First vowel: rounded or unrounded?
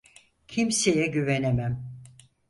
unrounded